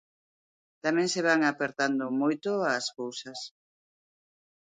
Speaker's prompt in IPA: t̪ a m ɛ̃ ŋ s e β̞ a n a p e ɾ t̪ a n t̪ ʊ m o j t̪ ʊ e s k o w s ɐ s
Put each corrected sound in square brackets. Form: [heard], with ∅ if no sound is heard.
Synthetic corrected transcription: t̪ a m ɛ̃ ŋ s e β̞ a [ŋ] a p e ɾ t̪ a n [d̪] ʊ m o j t̪ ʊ [a] s k o w s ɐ s

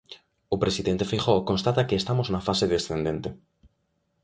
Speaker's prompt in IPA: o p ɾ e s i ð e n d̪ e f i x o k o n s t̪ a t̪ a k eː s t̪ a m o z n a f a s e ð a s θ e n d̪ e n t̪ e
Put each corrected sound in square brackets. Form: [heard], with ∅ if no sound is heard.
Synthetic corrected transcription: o p ɾ e s i ð e n [t̪] e f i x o k o n s t̪ a t̪ a k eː s t̪ a m o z n a f a s e ð [e] s θ e n d̪ e n t̪ e

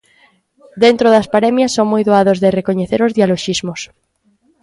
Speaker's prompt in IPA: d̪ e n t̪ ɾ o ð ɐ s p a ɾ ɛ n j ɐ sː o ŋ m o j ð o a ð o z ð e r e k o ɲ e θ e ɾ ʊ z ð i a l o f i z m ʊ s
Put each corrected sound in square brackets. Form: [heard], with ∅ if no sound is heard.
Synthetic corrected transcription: d̪ e n t̪ ɾ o ð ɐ s p a ɾ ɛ [m] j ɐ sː o ŋ m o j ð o a ð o z ð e r e k o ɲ e θ e ɾ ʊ z ð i a l o [ʃ] i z m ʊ s

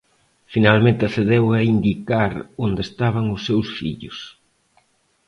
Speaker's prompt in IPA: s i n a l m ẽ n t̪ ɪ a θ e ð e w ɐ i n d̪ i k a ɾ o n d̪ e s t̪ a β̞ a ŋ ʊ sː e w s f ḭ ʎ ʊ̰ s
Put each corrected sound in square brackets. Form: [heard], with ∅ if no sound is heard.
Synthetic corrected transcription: [f] i n a l m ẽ n t̪ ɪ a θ e ð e w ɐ i n d̪ i k a ɾ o n d̪ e s t̪ a β̞ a ŋ ʊ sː e w s f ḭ ʎ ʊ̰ s

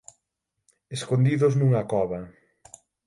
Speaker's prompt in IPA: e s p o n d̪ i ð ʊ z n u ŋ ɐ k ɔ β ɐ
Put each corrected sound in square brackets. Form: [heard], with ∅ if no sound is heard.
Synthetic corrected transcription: e s [k] o n d̪ i ð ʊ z n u ŋ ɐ k ɔ β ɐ

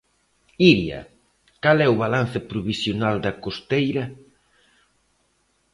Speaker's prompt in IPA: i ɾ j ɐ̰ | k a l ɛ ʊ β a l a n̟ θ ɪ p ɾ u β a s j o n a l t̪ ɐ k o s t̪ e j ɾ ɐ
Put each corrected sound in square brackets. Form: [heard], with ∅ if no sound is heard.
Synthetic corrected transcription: i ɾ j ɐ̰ | k a l ɛ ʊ β a l a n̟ θ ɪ p ɾ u β [i] s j o n a l [d̪] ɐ k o s t̪ e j ɾ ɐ

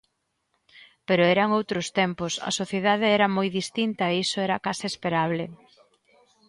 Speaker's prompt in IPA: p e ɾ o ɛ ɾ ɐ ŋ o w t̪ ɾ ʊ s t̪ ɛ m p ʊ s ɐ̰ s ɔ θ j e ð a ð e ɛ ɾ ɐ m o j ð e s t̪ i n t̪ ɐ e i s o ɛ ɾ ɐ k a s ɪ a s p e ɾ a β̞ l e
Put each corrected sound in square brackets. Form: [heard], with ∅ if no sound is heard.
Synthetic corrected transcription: p e ɾ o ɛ ɾ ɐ ŋ o w t̪ ɾ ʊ s t̪ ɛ m p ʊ s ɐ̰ s [o] θ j e ð a ð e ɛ ɾ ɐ m o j ð [i] s t̪ i n t̪ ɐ e i s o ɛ ɾ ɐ k a s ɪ [e] s p e ɾ a β̞ l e

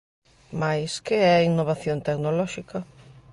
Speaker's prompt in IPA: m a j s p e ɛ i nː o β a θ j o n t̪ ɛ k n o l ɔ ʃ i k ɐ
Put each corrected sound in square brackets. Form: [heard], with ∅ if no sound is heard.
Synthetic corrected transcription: m a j s [k] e ɛ i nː o β a θ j o n t̪ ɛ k n o l ɔ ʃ i k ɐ

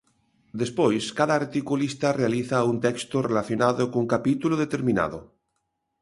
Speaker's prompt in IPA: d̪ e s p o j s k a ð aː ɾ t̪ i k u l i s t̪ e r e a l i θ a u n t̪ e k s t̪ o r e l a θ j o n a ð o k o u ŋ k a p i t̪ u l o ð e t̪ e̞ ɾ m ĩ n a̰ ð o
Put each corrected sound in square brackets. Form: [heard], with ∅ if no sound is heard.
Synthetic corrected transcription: d̪ e s p o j s k a ð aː ɾ t̪ i k u l i s t̪ [a] r e a l i θ a u n t̪ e k s t̪ o r e l a θ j o n a ð o k o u ŋ k a p i t̪ u l o ð e t̪ e̞ ɾ m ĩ n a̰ ð o

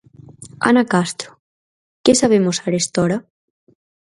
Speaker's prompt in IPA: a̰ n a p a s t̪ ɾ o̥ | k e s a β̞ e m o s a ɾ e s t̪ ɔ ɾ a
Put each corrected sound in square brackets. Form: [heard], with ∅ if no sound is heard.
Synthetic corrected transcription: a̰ n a [k] a s t̪ ɾ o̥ | k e s a β̞ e m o s a ɾ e s t̪ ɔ ɾ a

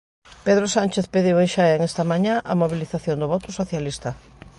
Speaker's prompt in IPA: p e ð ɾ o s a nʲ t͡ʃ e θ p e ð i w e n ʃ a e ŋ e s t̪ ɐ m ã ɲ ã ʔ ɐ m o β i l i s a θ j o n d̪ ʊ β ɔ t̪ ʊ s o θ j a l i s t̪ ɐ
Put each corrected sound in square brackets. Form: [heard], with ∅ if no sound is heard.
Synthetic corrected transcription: p e ð ɾ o s a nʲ t͡ʃ e θ p e ð i w e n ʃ a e ŋ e s t̪ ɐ m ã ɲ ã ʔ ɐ m o β i l i [θ] a θ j o n d̪ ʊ β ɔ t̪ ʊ s o θ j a l i s t̪ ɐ

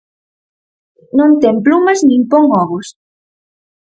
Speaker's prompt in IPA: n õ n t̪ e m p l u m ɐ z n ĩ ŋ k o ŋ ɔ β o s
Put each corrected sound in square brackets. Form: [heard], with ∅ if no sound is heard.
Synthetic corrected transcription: n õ n t̪ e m p l u m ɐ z n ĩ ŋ [p] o ŋ ɔ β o s

